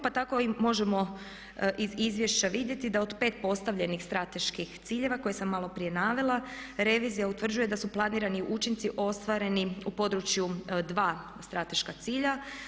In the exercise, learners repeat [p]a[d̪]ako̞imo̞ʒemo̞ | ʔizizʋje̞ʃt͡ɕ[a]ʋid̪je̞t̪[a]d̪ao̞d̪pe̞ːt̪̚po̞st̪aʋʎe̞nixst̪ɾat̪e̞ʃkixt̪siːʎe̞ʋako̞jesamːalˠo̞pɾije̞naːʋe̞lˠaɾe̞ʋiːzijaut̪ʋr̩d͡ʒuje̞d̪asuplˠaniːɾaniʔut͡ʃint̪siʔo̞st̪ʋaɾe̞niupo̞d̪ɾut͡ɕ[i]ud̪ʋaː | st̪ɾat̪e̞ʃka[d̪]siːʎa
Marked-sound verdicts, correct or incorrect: correct, incorrect: t̪, correct, incorrect: i, incorrect: j, incorrect: t̪

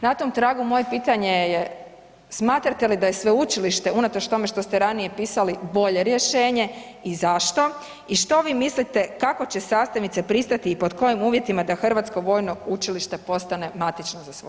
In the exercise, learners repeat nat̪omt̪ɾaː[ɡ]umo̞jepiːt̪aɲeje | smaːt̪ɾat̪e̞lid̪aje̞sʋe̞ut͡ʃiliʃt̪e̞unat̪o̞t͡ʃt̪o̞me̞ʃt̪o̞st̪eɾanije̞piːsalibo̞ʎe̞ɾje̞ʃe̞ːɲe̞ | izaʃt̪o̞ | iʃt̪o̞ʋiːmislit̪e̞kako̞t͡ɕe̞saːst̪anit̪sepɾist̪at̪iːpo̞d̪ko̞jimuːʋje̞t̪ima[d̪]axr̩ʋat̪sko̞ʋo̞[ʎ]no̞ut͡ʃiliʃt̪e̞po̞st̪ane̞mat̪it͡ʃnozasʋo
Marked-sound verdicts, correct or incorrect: correct, correct, incorrect: j

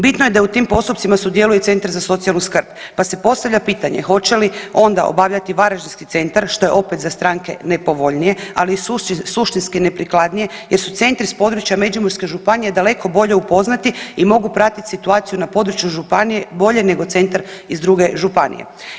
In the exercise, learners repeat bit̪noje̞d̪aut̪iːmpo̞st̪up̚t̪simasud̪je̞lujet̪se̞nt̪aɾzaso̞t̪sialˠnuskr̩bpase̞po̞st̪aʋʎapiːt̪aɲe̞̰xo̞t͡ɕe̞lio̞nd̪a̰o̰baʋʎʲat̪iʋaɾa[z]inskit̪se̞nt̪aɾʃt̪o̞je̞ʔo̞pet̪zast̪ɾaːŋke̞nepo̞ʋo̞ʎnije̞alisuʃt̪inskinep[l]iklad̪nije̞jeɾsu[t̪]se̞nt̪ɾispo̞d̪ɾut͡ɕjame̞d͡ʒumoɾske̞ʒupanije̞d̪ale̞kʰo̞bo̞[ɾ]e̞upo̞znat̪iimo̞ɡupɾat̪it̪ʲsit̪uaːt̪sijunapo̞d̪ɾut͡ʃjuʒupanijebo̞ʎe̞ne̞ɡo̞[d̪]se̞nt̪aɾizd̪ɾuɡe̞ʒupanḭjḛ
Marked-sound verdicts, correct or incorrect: incorrect: ʒ, incorrect: ɾ, correct, incorrect: ʎ, incorrect: t̪

